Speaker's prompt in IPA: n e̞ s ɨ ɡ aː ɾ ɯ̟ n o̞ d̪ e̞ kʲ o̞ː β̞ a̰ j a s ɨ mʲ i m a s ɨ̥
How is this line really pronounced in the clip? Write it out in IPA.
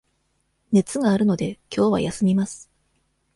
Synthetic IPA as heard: n e̞ t͡s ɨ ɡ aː ɾ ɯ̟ n o̞ d̪ e̞ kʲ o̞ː β̞ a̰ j a s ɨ mʲ i m a s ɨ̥